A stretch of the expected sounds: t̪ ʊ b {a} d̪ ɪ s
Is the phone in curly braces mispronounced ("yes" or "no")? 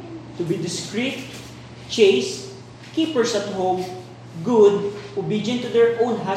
yes